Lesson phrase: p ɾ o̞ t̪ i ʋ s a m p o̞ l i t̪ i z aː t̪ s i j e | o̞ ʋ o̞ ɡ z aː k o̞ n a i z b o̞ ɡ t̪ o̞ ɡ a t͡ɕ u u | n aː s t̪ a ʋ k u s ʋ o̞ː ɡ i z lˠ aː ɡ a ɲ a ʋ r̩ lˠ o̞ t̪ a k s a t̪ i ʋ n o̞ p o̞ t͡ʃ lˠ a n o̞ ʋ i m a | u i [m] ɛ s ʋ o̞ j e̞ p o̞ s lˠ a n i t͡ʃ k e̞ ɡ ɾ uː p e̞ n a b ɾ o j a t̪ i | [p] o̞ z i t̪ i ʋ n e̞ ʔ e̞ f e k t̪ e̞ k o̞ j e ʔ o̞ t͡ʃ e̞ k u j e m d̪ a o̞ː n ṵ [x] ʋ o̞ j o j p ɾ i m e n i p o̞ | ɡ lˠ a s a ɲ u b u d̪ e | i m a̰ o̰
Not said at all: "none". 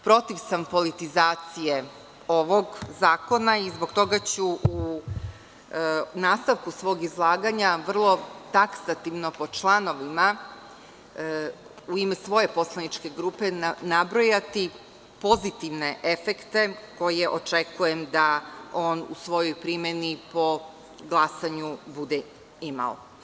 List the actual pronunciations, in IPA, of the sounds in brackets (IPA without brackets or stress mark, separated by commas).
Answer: m, p, s